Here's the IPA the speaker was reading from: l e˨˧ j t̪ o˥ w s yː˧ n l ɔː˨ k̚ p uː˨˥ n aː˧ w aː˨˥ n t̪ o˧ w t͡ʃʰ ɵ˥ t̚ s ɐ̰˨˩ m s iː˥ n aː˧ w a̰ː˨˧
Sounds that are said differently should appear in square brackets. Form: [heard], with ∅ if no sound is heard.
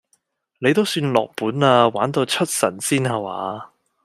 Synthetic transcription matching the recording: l e˨˧ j t̪ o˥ w s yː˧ n l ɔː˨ k̚ p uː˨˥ n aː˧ w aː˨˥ n t̪ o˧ w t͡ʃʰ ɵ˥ t̚ s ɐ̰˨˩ [n] s iː˥ n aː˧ w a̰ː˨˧